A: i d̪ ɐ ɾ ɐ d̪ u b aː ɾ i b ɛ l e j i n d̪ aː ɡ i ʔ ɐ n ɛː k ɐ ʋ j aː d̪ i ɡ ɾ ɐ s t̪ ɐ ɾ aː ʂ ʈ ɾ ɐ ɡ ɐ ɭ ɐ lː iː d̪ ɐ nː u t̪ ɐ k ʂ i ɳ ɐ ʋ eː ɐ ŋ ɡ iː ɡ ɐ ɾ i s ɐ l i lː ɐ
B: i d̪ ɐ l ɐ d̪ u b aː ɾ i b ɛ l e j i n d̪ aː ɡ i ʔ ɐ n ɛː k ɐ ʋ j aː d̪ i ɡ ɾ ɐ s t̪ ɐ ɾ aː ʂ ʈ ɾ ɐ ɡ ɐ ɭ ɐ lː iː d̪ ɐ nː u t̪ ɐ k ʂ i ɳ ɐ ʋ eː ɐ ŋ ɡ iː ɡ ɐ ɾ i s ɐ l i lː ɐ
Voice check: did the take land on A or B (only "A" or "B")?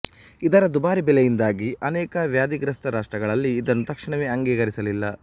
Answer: A